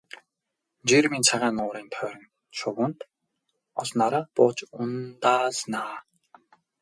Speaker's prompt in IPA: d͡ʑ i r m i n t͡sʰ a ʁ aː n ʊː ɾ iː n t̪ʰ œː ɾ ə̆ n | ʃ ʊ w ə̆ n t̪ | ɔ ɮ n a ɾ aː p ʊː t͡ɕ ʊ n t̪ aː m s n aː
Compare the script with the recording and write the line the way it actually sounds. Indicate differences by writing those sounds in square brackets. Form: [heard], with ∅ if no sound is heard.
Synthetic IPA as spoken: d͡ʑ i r m i n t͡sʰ a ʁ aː n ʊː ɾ iː n t̪ʰ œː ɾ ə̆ n | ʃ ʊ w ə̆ n t̪ | ɔ ɮ n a ɾ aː p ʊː t͡ɕ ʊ n t̪ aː [∅] s n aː

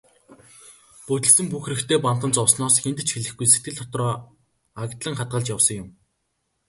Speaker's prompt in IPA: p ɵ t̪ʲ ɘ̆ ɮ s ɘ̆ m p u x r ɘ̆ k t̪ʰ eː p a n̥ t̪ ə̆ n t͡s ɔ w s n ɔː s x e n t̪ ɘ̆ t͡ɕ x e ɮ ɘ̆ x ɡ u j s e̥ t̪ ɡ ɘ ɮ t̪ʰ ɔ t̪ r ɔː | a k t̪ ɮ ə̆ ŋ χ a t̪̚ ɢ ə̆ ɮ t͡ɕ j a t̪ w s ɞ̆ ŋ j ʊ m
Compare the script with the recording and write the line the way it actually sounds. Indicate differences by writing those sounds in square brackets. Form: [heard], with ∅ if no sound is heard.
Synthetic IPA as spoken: p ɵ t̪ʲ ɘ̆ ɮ s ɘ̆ m p u x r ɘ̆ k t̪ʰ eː p a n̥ t̪ ə̆ n t͡s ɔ w s n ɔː s x e n t̪ ɘ̆ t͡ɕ x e ɮ ɘ̆ x ɡ u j s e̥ t̪ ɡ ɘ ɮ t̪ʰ ɔ t̪ r ɔː | a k t̪ ɮ ə̆ ŋ χ a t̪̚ ɢ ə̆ ɮ t͡ɕ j a [∅] w s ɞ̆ ŋ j ʊ m

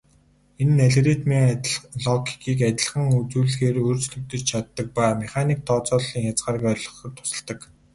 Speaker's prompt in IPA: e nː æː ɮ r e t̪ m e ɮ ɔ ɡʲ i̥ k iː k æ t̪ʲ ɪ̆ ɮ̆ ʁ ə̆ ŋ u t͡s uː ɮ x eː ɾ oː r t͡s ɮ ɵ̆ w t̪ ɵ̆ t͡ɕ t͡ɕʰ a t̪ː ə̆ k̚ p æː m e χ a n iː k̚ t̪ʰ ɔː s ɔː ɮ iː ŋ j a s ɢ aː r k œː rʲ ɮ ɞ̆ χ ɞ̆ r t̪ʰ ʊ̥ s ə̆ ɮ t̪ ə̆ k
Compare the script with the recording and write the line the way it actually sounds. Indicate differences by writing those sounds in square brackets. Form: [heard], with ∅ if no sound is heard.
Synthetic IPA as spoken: e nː [æ] ɮ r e t̪ m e ɮ ɔ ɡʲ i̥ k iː k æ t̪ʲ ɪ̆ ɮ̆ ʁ ə̆ ŋ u t͡s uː ɮ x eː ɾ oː r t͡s ɮ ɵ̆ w t̪ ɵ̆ t͡ɕ t͡ɕʰ a t̪ː ə̆ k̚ p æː m e χ a n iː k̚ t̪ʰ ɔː [t͡s] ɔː ɮ iː ŋ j a [t͡s] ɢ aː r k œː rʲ ɮ ɞ̆ χ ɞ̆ r t̪ʰ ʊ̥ s ə̆ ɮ t̪ ə̆ k

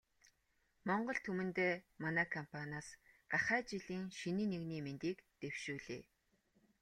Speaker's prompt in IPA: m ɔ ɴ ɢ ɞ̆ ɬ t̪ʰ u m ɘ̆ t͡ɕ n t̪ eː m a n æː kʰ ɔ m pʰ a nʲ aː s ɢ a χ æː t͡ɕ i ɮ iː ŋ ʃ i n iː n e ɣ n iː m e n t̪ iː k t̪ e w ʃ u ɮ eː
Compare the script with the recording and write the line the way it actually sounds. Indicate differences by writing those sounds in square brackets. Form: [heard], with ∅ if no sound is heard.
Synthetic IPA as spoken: m ɔ ɴ ɢ ɞ̆ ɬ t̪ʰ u m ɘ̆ [∅] n t̪ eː m a n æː kʰ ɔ m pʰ a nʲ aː s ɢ a χ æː t͡ɕ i ɮ iː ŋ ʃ i n iː n e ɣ n iː m e n t̪ iː k t̪ e w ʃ [uː] ɮ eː

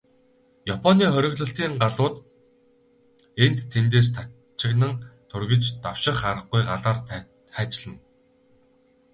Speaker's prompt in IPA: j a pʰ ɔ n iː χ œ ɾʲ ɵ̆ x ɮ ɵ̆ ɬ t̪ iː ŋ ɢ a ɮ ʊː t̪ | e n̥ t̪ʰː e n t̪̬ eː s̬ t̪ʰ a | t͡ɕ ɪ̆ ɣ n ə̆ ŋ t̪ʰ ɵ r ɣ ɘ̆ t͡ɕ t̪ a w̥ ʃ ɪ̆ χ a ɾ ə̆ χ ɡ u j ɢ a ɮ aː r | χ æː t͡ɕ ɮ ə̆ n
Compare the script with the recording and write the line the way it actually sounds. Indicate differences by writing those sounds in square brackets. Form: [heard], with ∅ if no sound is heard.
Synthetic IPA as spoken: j a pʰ ɔ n iː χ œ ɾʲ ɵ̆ [ɣ] ɮ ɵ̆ ɬ t̪ iː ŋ ɢ a ɮ ʊː t̪ | e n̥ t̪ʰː e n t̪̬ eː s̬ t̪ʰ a | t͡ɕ ɪ̆ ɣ n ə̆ ŋ t̪ʰ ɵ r ɣ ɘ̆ t͡ɕ t̪ a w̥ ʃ ɪ̆ χ a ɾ ə̆ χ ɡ u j ɢ a ɮ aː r | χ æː t͡ɕ ɮ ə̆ n

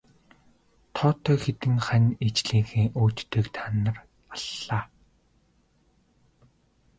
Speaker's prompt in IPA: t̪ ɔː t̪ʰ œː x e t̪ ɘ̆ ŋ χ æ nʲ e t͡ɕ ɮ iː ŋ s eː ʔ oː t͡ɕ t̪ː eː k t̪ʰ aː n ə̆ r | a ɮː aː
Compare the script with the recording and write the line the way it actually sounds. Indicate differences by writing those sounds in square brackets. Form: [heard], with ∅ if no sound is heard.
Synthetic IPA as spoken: [t̪ʰ] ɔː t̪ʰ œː x e t̪ ɘ̆ ŋ χ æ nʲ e t͡ɕ ɮ iː ŋ [x] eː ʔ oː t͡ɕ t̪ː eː k t̪ʰ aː n ə̆ r | a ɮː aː

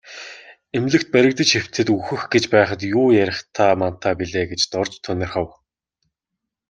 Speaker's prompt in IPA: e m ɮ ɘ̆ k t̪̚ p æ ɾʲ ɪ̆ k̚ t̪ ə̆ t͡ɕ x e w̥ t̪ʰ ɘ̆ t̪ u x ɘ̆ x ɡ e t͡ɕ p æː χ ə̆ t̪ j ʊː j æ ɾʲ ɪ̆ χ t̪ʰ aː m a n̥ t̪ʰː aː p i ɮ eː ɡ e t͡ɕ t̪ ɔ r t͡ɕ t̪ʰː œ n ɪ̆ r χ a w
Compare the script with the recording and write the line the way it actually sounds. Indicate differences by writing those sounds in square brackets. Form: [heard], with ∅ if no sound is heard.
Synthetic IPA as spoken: e m ɮ ɘ̆ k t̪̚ p æ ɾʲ ɪ̆ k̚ t̪ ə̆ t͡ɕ x e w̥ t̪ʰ ɘ̆ t̪ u x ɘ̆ x ɡ e t͡ɕ p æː χ ə̆ t̪ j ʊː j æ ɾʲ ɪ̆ χ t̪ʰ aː m a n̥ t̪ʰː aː p i ɮ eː ɡ e t͡ɕ t̪ ɔ r t͡ɕ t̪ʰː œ n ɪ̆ r χ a w

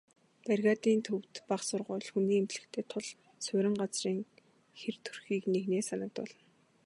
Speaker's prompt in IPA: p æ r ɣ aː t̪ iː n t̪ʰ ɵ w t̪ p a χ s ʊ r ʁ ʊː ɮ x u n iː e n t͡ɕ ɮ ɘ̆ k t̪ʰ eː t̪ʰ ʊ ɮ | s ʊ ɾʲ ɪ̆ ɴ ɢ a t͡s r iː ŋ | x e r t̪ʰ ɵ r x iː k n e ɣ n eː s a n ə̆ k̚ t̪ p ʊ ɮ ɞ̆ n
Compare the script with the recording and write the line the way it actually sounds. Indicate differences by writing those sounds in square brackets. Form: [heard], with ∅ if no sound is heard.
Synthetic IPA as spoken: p æ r ɣ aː t̪ iː n t̪ʰ ɵ w t̪ p a χ s ʊ r ʁ ʊː ɮ x u n iː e [m] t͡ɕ ɮ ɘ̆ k t̪ʰ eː t̪ʰ ʊ ɮ | s ʊ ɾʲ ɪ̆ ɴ ɢ a t͡s r iː ŋ | x e r t̪ʰ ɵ r x iː k n e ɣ n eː s a n ə̆ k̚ t̪ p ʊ ɮ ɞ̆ n

